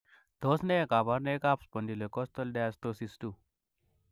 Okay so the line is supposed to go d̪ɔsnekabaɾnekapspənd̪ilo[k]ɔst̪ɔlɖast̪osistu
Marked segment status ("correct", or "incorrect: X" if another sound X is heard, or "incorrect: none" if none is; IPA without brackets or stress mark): correct